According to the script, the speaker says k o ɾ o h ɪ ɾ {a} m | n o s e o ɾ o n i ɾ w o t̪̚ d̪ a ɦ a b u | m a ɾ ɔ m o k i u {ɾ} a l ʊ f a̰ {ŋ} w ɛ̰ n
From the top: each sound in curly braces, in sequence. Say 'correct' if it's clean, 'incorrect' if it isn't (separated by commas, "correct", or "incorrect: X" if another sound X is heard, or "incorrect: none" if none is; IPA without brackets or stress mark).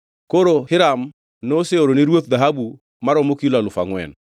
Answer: correct, incorrect: l, correct